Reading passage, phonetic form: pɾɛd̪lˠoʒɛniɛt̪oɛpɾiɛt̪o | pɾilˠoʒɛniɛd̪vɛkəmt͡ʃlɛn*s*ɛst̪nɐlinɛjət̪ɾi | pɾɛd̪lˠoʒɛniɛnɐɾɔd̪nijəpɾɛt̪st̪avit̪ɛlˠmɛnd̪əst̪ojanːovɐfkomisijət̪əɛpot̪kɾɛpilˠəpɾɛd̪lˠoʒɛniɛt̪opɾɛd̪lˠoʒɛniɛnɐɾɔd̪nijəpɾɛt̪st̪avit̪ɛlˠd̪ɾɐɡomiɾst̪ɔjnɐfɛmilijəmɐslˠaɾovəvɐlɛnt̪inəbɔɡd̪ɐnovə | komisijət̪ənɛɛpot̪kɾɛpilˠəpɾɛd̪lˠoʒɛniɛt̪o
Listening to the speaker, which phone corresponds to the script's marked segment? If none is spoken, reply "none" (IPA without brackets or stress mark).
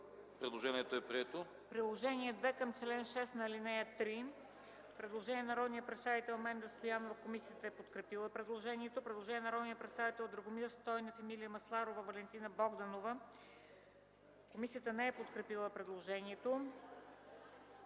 ʃ